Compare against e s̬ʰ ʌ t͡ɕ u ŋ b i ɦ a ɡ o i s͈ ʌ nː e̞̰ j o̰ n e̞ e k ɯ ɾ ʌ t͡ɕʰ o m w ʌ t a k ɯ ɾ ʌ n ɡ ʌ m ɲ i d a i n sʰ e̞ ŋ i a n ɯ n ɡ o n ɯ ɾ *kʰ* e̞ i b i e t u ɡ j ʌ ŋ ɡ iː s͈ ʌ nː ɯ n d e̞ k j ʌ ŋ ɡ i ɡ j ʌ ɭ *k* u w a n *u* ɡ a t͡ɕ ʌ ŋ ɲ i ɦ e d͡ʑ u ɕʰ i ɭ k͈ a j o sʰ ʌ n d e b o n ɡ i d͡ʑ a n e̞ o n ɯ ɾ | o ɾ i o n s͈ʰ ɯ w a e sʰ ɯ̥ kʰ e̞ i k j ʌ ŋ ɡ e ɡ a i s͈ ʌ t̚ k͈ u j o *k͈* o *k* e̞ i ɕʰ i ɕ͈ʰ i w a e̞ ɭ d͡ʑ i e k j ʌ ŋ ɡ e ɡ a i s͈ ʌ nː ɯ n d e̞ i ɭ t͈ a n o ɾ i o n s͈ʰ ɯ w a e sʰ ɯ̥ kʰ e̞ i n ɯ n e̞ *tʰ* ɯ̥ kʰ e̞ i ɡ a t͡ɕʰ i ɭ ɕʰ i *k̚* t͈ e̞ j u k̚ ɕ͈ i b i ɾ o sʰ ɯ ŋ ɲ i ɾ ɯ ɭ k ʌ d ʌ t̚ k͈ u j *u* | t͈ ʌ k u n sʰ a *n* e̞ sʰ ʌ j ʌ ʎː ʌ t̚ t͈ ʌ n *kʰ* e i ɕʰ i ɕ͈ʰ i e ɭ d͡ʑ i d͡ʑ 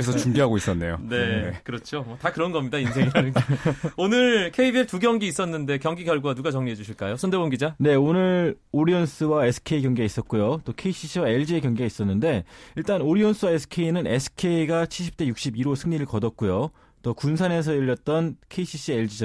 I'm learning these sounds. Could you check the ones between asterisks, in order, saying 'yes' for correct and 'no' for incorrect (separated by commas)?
yes, no, yes, no, no, no, no, no, yes, yes